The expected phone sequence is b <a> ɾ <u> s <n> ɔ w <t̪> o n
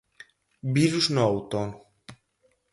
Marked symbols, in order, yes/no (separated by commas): no, yes, yes, yes